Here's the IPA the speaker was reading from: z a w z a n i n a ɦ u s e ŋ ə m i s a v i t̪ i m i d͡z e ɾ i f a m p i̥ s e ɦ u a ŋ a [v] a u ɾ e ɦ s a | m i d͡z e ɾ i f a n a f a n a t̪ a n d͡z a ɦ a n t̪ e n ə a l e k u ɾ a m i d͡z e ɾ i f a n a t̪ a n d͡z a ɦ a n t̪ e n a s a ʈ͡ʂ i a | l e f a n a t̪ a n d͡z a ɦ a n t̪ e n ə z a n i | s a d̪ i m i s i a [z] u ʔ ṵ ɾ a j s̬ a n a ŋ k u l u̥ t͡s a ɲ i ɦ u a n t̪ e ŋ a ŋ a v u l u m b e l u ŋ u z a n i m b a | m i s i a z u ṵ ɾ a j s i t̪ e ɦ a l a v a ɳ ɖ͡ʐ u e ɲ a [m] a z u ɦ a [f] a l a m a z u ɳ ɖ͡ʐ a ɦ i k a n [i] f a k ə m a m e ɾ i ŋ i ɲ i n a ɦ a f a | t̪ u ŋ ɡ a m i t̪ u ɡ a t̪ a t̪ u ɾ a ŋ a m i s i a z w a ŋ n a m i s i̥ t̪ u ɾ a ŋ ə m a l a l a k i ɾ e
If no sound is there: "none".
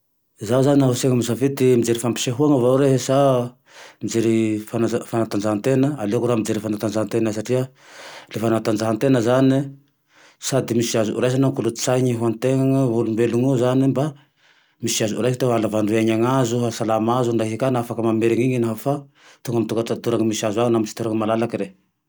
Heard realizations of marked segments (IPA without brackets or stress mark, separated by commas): v, z, ŋ, s, a